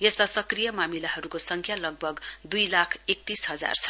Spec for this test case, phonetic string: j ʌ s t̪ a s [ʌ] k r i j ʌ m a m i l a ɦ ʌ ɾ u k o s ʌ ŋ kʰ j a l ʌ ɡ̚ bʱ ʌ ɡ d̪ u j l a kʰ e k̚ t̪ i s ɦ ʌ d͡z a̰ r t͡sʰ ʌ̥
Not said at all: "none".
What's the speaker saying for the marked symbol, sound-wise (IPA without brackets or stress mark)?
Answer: ʌ